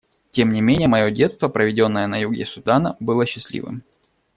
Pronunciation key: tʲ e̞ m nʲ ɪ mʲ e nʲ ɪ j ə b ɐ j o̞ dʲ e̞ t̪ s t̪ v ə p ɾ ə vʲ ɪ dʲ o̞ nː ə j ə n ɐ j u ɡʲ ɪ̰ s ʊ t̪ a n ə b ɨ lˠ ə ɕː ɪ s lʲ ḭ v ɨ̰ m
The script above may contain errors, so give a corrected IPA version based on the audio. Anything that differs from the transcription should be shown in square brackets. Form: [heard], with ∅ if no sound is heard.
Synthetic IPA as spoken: tʲ e̞ m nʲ ɪ mʲ e nʲ ɪ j ə [m] ɐ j o̞ dʲ e̞ t̪ s t̪ v ə p ɾ ə vʲ ɪ dʲ o̞ nː ə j ə n ɐ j u ɡʲ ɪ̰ s ʊ [d̪] a n ə b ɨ lˠ ə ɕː ɪ s lʲ ḭ v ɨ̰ m

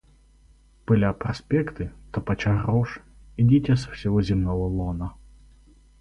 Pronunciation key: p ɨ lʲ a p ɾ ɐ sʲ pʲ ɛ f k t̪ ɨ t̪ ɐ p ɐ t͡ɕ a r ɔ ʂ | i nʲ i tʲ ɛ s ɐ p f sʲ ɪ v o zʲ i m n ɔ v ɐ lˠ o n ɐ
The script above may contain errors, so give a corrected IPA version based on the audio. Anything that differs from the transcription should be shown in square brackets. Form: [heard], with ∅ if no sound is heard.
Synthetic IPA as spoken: p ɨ lʲ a p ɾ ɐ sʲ pʲ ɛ [∅] k t̪ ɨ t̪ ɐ p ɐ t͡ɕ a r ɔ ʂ | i [dʲ] i tʲ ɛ s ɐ [∅] f sʲ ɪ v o zʲ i m n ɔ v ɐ lˠ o n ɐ

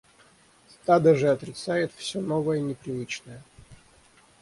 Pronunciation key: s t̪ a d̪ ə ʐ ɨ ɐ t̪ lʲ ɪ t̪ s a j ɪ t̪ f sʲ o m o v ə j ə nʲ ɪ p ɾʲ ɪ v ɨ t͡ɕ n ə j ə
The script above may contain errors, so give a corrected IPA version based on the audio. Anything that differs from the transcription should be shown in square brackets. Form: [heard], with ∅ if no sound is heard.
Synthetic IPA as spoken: s t̪ a d̪ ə ʐ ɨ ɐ t̪ [ɾʲ] ɪ t̪ s a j ɪ t̪ f sʲ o [n] o v ə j ə nʲ ɪ p ɾʲ ɪ v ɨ t͡ɕ n ə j ə

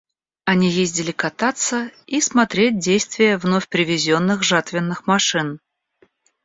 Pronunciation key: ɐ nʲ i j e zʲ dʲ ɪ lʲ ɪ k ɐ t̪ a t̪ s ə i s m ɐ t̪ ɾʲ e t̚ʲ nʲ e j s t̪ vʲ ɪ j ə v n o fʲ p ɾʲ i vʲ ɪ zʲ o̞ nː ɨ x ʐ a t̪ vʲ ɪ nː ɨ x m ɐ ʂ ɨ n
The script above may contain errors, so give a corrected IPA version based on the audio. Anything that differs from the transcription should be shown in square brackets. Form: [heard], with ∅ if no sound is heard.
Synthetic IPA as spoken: ɐ nʲ i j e zʲ dʲ ɪ lʲ ɪ k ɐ t̪ a t̪ s ə i s m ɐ t̪ ɾʲ e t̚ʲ [dʲ] e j s t̪ vʲ ɪ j ə v n o fʲ p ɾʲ [ɪ] vʲ ɪ zʲ o̞ nː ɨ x ʐ a t̪ vʲ ɪ nː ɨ x m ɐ ʂ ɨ n

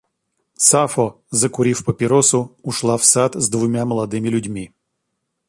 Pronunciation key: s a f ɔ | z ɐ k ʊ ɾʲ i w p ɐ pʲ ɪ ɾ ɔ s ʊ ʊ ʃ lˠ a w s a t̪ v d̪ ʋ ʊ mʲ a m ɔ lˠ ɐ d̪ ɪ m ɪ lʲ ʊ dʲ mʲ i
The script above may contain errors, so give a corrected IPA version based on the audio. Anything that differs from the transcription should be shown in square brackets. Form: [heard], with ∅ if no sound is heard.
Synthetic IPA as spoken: s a f ɔ | z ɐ k ʊ ɾʲ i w p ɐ pʲ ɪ ɾ ɔ s ʊ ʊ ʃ lˠ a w s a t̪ [z] d̪ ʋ ʊ mʲ a m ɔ lˠ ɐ d̪ ɪ m ɪ lʲ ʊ dʲ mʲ i

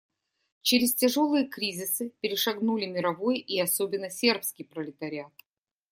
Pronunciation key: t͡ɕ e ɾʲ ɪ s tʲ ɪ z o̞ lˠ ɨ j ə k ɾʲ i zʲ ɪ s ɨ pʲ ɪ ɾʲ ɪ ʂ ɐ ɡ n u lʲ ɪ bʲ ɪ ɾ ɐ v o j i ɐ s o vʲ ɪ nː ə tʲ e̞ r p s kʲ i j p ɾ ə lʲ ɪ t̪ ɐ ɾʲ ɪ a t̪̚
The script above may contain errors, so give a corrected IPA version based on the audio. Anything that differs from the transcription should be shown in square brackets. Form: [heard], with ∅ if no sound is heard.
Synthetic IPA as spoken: t͡ɕ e ɾʲ ɪ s tʲ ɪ [ʐ] o̞ lˠ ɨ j ə k ɾʲ i zʲ ɪ s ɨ pʲ ɪ ɾʲ ɪ ʂ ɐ ɡ n u lʲ ɪ [mʲ] ɪ ɾ ɐ v o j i ɐ s o [bʲ] ɪ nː ə [sʲ] e̞ r p s kʲ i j p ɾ ə lʲ ɪ t̪ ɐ ɾʲ ɪ a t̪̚

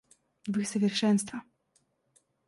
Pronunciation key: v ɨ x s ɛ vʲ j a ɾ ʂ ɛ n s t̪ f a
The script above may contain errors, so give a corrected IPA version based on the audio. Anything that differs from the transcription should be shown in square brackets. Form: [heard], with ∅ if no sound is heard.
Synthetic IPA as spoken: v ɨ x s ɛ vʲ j [ɛ] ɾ ʂ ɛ n s t̪ f a

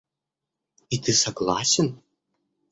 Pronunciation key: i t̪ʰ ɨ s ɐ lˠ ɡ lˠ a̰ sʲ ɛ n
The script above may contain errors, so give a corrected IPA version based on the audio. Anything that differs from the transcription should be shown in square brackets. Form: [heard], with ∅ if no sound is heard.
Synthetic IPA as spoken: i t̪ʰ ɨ s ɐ [∅] ɡ lˠ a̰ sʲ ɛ n

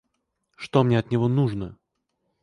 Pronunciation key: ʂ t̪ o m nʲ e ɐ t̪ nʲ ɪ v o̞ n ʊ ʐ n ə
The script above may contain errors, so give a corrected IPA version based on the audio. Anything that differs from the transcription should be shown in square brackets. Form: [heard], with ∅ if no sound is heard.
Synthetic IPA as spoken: ʂ t̪ o m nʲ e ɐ t̪ nʲ ɪ v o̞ n [u] ʐ n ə

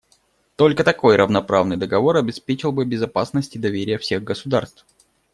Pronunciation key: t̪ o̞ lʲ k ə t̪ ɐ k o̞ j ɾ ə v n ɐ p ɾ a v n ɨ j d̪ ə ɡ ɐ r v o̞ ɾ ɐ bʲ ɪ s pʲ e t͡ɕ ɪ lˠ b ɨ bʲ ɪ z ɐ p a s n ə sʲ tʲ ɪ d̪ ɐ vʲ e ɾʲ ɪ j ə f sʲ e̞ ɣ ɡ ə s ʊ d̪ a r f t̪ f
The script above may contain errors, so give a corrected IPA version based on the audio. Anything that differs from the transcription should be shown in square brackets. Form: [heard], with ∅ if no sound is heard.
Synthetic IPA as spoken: t̪ o̞ lʲ k ə t̪ ɐ k o̞ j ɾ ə v n ɐ p ɾ a v n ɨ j d̪ ə ɡ ɐ [∅] v o̞ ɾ ɐ bʲ ɪ s pʲ e t͡ɕ ɪ lˠ b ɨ bʲ ɪ z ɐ p a s n ə sʲ tʲ ɪ d̪ ɐ vʲ e ɾʲ ɪ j ə f sʲ e̞ ɣ ɡ ə s ʊ d̪ a r [s] t̪ f

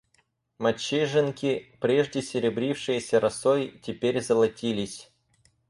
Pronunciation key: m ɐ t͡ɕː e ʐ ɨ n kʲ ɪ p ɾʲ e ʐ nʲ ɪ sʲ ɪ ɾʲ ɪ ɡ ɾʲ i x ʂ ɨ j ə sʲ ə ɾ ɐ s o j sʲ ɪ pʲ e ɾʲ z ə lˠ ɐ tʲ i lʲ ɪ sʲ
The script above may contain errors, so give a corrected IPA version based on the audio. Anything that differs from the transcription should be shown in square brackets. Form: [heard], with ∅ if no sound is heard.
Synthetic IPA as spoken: m ɐ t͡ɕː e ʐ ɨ n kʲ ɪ p ɾʲ e ʐ [dʲ] ɪ sʲ ɪ ɾʲ ɪ [b] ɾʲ i [f] ʂ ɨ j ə sʲ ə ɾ ɐ s o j [tʲ] ɪ pʲ e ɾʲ z ə lˠ ɐ tʲ i lʲ ɪ sʲ

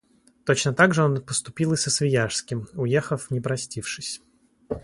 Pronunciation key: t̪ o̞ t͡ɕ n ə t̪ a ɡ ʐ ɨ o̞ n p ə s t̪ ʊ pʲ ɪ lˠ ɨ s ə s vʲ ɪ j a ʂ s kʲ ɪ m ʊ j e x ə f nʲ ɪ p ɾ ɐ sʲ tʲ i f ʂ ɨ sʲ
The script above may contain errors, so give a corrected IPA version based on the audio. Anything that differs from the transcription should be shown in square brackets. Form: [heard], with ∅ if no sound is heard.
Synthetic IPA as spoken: t̪ o̞ t͡ɕ n ə t̪ a ɡ ʐ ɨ o̞ n p ə s t̪ ʊ pʲ [i] lˠ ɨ s ə s vʲ ɪ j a ʂ s kʲ ɪ m ʊ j e x ə f nʲ ɪ p ɾ ɐ sʲ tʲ i f ʂ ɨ sʲ

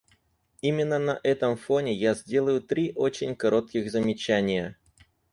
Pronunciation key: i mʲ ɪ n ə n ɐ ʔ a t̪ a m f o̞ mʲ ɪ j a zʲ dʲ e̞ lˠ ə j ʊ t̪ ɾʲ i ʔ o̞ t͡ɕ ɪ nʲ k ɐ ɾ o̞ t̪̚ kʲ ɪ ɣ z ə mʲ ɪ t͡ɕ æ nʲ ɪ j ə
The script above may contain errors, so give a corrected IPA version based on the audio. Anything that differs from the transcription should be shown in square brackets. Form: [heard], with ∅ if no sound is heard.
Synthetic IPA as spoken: i mʲ ɪ [nː] ə n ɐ ʔ [ɛ] t̪ [ə] m f o̞ [nʲ] ɪ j a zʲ dʲ e̞ lˠ ə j ʊ t̪ ɾʲ i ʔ o̞ t͡ɕ ɪ nʲ k ɐ ɾ o̞ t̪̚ kʲ ɪ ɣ z ə mʲ ɪ t͡ɕ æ nʲ ɪ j ə

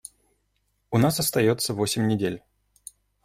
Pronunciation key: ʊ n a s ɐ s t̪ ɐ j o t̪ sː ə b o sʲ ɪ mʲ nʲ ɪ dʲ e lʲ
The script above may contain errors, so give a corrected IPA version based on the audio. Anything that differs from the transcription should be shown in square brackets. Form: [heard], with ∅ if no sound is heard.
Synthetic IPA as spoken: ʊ n a s ɐ s t̪ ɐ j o t̪ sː ə [v] o sʲ ɪ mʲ nʲ ɪ dʲ e lʲ

